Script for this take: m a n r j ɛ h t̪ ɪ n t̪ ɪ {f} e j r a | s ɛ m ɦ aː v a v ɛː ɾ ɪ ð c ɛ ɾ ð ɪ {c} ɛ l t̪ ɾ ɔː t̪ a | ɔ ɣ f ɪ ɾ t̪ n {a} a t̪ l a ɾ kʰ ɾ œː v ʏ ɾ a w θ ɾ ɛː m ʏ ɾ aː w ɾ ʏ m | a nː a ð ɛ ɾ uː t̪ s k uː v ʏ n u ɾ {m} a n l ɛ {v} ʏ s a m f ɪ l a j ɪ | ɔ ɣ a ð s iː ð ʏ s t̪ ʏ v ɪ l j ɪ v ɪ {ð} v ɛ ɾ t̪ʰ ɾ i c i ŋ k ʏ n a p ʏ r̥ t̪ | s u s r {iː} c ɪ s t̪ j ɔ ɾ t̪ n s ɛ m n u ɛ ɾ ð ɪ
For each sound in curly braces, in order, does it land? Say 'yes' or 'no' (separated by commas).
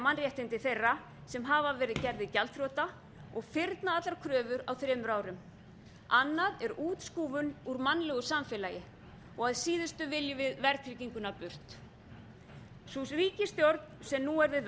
no, yes, yes, yes, no, yes, yes